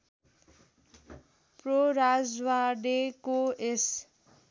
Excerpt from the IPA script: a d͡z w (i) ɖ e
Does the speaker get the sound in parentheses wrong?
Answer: yes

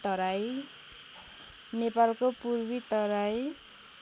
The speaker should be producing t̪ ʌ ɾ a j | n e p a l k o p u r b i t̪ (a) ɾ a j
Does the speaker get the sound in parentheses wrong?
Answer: yes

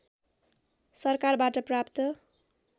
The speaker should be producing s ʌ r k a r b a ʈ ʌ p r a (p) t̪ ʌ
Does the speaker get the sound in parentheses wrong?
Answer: no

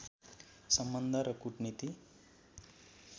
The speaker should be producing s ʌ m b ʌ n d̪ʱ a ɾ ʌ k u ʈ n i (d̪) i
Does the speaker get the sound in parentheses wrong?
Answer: yes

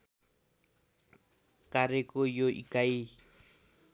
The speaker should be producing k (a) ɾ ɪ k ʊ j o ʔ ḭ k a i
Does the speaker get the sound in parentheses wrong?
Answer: no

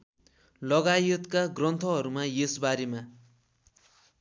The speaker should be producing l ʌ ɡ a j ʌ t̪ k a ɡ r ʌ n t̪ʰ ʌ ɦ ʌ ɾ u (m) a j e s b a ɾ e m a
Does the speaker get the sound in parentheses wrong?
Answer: no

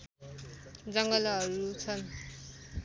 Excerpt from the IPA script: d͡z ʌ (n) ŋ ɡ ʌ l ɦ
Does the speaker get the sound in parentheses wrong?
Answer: yes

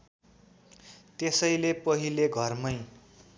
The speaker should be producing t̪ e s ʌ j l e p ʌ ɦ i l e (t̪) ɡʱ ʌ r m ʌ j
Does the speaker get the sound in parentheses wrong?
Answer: yes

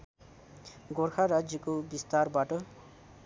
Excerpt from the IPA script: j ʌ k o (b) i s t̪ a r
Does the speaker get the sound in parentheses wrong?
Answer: no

